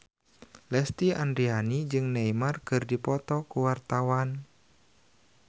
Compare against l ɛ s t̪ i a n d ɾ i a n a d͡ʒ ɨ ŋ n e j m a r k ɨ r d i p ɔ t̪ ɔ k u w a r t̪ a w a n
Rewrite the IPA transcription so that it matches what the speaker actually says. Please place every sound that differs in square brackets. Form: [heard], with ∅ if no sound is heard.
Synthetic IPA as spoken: l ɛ s t̪ i a n d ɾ i a n [i] d͡ʒ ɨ ŋ n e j m a r k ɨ r d i p ɔ t̪ ɔ k u w a r t̪ a w a n